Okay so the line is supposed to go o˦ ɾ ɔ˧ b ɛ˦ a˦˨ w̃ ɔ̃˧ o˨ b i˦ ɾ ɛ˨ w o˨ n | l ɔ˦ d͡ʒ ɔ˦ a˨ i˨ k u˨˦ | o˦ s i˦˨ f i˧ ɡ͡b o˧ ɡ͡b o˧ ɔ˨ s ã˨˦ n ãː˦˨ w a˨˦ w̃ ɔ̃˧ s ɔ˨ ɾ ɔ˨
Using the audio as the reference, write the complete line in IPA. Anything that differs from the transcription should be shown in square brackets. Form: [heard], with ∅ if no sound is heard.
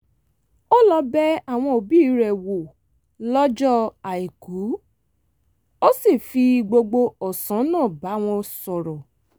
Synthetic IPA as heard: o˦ [l] ɔ˧ b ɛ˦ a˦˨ w̃ ɔ̃˧ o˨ b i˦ ɾ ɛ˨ w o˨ [∅] | l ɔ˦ d͡ʒ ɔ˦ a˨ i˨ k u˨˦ | o˦ s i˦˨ f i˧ ɡ͡b o˧ ɡ͡b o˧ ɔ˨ s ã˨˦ n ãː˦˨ [b] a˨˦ w̃ ɔ̃˧ s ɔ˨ ɾ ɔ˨